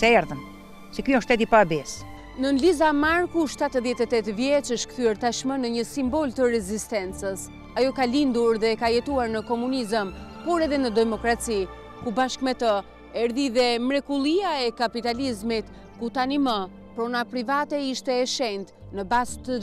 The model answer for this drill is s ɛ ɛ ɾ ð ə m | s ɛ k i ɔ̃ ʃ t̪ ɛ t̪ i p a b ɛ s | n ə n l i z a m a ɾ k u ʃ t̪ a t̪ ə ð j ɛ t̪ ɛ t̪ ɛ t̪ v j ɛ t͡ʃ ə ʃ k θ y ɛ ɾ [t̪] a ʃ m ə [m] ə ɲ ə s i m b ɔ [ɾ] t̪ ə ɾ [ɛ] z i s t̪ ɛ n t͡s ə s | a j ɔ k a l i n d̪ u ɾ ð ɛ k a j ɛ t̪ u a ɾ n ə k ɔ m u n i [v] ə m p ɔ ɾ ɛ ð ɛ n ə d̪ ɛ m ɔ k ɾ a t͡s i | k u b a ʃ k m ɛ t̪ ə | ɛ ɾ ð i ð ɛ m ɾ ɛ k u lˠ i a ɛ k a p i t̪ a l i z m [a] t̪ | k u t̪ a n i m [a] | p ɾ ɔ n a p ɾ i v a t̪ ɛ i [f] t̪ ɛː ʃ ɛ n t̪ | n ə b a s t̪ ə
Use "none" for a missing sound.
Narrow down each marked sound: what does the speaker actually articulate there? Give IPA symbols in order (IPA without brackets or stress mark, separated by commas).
t̪, n, l, ɛ, z, i, ə, ʃ